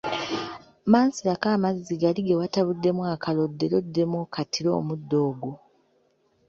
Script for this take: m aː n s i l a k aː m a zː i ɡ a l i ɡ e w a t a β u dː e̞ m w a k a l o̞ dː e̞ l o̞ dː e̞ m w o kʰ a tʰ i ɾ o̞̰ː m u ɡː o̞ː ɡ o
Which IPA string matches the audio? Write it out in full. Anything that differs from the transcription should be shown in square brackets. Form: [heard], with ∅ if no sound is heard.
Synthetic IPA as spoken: m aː n s i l a k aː m a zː i ɡ a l i ɡ e w a t a β u dː e̞ m w a k a l o̞ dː e̞ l o̞ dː e̞ m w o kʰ a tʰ i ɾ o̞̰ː m u [dː] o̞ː ɡ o